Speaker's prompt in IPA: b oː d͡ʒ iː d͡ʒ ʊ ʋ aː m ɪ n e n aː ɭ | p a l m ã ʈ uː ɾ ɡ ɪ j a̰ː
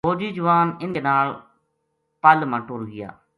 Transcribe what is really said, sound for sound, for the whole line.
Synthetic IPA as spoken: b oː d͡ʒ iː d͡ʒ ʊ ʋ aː n ɪ n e n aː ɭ | p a l m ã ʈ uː ɾ ɡ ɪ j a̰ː